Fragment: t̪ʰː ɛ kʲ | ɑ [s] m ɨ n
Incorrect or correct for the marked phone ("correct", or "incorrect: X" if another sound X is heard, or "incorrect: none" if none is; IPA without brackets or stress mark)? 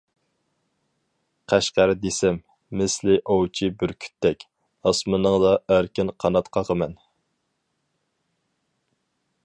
correct